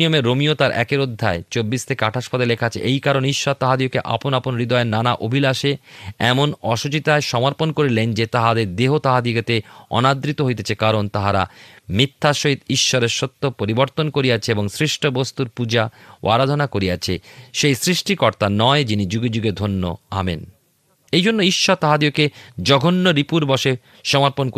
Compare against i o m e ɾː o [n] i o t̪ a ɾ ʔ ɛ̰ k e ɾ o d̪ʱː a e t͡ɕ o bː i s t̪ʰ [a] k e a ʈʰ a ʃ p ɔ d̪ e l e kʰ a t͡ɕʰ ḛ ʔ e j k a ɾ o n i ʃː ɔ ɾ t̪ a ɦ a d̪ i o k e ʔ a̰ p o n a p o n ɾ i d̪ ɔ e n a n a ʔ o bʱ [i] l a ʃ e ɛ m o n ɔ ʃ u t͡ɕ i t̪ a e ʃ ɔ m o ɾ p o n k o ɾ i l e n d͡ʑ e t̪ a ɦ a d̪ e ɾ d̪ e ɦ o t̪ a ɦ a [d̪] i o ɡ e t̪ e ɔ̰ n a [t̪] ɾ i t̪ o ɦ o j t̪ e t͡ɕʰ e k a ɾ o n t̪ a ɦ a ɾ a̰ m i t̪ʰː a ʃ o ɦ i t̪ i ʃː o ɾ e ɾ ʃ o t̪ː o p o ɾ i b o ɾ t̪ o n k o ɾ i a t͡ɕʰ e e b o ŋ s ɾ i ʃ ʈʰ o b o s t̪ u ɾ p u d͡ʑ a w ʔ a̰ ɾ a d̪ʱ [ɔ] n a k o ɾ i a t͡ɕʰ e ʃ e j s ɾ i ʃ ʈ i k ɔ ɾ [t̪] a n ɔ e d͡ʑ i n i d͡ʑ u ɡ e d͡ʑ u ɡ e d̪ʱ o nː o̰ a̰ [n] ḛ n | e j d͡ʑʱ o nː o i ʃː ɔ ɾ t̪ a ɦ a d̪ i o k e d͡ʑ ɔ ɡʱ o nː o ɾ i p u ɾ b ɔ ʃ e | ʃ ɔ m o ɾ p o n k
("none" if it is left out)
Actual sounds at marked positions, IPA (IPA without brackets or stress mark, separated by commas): m, e, i, d̪, d̪, o, t̪, m